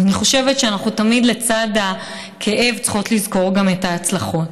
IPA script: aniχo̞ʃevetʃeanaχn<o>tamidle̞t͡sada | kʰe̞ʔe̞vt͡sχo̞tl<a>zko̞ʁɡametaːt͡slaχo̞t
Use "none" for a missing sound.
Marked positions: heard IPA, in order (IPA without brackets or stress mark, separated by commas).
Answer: u, i